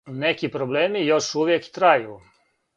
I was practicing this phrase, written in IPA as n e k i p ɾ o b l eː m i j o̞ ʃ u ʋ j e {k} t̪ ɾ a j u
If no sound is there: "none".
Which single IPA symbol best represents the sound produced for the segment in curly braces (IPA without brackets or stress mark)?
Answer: k